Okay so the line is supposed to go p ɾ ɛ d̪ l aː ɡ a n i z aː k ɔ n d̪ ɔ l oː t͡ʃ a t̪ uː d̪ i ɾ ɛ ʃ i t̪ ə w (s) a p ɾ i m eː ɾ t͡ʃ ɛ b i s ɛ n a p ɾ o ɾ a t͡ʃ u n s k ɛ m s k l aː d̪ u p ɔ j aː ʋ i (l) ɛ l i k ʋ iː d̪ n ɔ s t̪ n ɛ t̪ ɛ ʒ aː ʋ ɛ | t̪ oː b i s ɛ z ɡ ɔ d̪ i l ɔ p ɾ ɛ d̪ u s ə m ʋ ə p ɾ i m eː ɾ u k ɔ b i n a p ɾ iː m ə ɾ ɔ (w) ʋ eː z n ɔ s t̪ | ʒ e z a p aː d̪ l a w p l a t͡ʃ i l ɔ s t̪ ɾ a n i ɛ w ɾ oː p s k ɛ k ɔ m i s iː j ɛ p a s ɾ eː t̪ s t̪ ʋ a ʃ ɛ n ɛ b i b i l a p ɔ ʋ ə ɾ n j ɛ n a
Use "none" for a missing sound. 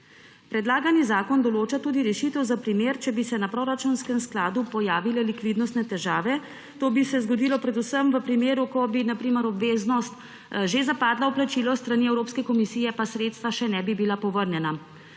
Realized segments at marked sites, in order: z, l, b

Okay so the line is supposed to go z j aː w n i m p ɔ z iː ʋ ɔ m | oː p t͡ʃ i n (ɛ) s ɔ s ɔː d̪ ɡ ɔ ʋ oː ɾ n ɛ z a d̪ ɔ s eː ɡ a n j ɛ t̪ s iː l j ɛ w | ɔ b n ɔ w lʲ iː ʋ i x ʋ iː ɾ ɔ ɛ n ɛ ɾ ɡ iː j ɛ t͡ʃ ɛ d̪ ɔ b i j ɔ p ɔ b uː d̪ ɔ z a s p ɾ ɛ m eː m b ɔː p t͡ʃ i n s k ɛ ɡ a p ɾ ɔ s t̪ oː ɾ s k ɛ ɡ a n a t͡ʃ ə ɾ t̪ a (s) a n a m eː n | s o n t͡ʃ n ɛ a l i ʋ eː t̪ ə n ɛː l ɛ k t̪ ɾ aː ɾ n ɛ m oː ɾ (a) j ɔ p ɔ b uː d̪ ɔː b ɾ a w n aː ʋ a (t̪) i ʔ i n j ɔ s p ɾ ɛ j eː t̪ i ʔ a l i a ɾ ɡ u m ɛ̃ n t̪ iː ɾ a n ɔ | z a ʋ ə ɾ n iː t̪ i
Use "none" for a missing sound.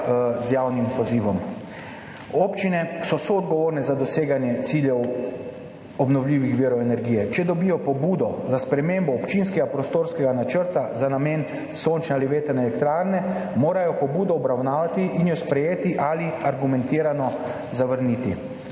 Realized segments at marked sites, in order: ɛ, z, a, t̪

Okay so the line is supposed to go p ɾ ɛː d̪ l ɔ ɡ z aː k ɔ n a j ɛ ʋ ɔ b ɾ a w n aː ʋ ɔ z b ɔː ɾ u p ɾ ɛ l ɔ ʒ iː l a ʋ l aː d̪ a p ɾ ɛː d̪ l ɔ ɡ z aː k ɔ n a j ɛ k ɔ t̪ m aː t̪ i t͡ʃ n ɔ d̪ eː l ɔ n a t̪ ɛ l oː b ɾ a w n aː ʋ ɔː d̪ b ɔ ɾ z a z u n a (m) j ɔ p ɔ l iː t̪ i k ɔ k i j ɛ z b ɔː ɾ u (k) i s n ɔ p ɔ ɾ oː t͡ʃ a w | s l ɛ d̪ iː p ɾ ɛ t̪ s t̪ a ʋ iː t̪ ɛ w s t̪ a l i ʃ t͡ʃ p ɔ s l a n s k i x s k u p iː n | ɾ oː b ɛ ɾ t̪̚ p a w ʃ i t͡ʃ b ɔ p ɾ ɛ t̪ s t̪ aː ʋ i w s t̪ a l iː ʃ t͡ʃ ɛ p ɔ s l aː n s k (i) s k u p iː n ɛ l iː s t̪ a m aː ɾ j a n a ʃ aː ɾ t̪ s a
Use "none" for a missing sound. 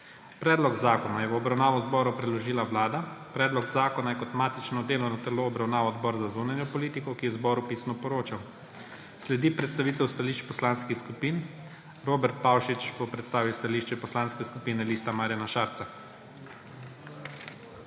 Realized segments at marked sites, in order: n, p, ɛ

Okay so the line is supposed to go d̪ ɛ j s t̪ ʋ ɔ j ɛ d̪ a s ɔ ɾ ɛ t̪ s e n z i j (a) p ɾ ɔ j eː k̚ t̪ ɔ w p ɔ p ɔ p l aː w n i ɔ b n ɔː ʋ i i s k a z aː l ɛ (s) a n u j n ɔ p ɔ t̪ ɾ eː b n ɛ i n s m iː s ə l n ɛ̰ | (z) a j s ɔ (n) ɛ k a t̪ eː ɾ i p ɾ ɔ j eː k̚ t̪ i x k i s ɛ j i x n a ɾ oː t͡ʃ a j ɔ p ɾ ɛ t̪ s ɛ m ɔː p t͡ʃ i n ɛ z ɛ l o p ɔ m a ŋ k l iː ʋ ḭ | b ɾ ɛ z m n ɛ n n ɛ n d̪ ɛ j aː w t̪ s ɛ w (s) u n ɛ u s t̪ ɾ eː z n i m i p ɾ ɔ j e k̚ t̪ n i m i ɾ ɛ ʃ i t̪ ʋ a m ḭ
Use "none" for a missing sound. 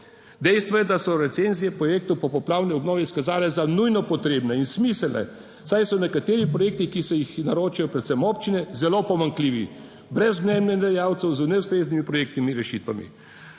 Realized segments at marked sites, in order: ɛ, z, s, n, z

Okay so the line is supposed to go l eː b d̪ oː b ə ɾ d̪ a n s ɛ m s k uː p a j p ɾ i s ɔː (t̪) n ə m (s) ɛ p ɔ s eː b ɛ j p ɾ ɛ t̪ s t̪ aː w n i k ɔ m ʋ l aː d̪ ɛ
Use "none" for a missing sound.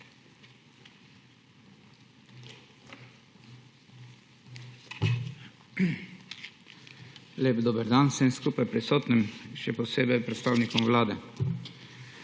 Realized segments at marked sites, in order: t̪, ʃ

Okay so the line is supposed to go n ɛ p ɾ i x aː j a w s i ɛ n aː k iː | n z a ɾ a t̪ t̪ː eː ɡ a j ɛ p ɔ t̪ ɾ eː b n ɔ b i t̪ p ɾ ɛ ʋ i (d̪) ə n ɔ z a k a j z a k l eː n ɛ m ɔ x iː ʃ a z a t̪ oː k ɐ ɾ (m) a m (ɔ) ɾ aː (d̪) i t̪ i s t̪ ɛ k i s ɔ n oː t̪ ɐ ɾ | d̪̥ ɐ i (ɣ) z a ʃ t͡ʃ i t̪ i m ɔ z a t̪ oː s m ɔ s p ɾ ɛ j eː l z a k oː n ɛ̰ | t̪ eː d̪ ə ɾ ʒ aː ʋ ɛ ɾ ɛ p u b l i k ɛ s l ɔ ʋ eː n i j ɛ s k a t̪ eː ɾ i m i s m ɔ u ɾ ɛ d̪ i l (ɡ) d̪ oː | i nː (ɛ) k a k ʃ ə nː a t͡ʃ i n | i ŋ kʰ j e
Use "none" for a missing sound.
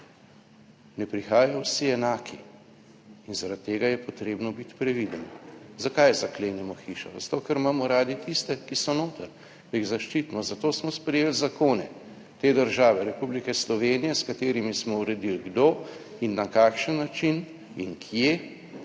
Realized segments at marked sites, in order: d̪, m, ɔ, d̪, ɣ, ɡ, a

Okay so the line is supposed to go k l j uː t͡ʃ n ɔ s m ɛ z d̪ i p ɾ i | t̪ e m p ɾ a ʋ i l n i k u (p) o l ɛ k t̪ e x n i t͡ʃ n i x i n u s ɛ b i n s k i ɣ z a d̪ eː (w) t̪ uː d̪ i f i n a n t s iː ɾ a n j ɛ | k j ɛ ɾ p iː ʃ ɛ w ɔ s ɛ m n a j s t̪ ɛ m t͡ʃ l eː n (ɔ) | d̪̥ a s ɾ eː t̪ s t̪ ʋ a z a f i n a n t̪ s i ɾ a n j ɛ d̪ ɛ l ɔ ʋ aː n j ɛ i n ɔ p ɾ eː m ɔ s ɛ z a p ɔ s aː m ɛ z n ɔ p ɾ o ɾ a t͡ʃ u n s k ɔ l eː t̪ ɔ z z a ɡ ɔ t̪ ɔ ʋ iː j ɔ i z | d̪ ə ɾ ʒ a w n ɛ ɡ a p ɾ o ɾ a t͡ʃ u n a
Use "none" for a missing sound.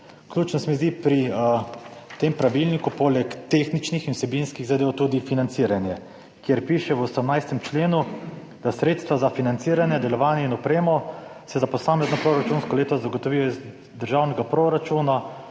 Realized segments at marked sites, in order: p, w, u

